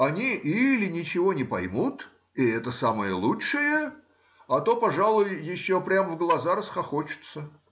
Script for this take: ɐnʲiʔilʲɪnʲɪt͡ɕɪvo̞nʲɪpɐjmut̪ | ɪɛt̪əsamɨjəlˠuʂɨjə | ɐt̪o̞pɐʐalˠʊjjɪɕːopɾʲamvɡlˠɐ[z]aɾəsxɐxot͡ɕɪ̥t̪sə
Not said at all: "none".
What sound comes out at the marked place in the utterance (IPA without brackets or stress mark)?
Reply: z